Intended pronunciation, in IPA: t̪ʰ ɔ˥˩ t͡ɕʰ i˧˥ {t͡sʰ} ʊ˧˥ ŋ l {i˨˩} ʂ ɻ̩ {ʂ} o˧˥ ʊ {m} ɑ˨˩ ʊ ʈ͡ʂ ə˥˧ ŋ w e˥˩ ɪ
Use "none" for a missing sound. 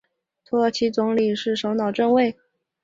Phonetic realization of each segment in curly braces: t͡s, i˨˩, ʂ, n

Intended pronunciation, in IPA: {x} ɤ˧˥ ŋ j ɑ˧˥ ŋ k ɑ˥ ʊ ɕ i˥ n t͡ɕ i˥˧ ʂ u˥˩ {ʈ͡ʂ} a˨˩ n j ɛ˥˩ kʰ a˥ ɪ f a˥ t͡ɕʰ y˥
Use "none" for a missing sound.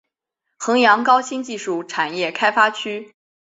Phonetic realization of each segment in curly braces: x, ʈ͡ʂʰ

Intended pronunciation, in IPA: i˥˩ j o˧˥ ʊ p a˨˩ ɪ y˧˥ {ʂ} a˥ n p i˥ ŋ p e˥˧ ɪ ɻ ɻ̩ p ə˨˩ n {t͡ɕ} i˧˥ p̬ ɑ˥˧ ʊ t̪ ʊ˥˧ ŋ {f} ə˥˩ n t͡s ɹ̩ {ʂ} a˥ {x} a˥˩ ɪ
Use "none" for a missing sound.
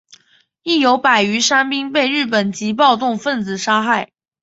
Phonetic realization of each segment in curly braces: ʂ, t͡ɕ, f, ʂ, x

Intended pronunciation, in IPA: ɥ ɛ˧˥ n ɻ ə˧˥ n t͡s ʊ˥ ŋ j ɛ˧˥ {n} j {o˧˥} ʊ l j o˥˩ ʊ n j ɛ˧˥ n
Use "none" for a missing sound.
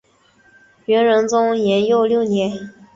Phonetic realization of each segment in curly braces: n, o˥˧

